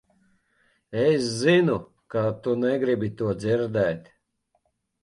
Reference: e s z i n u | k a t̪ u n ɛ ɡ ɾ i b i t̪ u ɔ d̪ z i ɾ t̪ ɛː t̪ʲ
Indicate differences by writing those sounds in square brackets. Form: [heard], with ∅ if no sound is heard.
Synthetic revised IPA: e s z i n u | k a t̪ u n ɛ ɡ ɾ i b i t̪ u ɔ d̪ z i ɾ [d̪] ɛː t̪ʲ

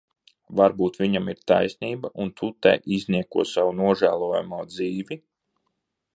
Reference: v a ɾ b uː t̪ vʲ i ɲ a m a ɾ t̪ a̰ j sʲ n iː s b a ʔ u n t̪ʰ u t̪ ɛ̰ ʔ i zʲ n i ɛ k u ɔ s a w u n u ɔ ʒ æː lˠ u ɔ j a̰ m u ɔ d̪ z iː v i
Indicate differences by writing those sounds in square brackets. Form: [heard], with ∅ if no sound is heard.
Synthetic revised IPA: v a ɾ b uː t̪ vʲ i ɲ a m [i] ɾ t̪ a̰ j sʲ n iː [∅] b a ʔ u n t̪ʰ u t̪ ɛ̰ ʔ i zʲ n i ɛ k u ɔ s a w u n u ɔ ʒ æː lˠ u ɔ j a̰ m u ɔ d̪ z iː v i

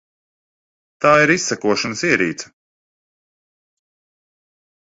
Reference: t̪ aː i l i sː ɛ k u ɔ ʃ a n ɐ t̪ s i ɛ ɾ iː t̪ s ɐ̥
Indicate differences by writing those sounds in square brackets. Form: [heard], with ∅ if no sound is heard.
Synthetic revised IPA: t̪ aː i [ɾ] i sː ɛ k u ɔ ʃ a n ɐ [∅] s i ɛ ɾ iː t̪ s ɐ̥

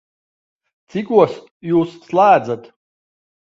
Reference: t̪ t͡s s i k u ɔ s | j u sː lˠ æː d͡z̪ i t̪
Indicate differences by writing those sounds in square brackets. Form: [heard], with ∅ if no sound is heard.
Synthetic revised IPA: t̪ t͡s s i k u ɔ s | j [uː] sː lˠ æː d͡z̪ [a] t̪

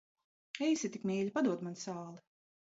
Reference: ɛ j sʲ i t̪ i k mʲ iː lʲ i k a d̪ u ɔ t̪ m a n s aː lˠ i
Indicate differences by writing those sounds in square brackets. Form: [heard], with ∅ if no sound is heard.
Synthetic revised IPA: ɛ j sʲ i t̪ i k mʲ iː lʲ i [p] a d̪ u ɔ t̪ m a n s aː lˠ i

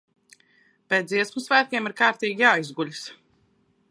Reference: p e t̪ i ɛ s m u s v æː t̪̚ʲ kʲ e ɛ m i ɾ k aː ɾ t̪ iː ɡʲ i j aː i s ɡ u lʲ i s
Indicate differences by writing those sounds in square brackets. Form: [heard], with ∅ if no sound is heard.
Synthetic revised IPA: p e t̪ i ɛ s m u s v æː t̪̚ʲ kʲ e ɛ m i ɾ k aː ɾ t̪ iː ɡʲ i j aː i [z] ɡ u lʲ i s

